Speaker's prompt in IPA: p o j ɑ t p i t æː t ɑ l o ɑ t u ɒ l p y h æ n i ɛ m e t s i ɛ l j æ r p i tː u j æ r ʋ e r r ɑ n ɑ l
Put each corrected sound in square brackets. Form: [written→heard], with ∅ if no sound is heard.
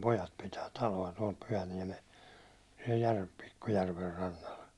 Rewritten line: p o j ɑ t p i t æː t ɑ l o ɑ t u ɒ l p y h æ n i ɛ m e [t→s] s i ɛ l j æ r p i [tː→kː] u j æ r ʋ e r r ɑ [n→nː] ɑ l